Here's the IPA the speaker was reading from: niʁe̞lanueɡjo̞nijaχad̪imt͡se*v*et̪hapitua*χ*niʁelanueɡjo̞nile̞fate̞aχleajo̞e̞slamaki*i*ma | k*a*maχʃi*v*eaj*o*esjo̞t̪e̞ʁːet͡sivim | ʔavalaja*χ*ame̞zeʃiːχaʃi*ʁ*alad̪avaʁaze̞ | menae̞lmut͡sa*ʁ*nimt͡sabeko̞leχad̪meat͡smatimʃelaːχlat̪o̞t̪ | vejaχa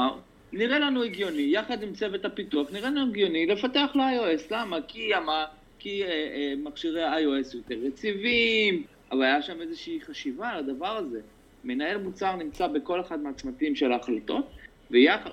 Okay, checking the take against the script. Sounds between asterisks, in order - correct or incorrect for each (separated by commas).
correct, correct, incorrect, incorrect, incorrect, correct, incorrect, incorrect, correct